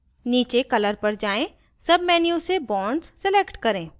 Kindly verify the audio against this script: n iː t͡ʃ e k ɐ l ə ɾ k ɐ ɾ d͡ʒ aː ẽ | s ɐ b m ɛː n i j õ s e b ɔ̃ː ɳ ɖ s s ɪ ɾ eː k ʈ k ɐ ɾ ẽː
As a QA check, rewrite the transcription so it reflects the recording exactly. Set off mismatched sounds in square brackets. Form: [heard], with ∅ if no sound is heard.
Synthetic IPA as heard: n iː t͡ʃ e k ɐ l ə ɾ [p] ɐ ɾ d͡ʒ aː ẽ | s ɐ b m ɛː n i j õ s e b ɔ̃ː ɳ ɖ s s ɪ [l] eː k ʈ k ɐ ɾ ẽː